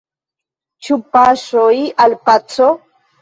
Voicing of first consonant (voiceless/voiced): voiceless